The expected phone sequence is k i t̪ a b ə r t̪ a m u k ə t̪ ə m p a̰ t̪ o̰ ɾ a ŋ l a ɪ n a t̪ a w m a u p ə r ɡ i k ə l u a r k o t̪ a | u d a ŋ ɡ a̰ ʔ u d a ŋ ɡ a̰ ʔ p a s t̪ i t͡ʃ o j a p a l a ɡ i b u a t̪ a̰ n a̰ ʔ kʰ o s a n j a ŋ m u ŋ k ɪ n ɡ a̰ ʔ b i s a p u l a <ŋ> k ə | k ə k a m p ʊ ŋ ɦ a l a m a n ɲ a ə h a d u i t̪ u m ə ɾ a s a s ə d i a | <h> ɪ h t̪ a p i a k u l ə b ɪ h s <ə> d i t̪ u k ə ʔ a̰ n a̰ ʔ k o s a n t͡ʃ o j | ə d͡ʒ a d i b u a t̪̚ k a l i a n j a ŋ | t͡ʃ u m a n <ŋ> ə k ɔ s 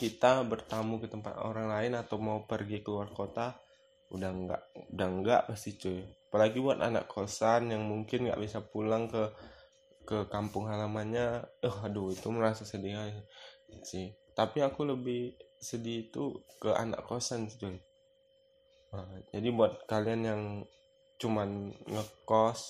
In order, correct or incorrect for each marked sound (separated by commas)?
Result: correct, incorrect, correct, correct